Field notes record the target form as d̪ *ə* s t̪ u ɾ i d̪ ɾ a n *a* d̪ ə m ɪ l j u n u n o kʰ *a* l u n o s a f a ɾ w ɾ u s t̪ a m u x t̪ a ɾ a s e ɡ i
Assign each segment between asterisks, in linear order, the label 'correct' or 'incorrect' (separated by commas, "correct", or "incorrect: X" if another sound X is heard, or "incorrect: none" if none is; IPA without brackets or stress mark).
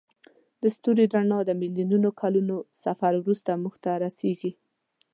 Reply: correct, incorrect: ɑ, correct